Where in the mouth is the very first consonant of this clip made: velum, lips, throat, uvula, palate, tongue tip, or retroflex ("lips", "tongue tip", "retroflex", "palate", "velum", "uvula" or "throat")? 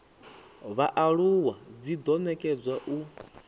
lips